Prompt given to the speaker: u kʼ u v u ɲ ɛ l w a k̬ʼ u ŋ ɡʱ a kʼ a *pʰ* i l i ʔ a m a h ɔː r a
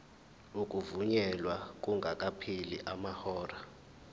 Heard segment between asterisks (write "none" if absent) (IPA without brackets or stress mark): pʰ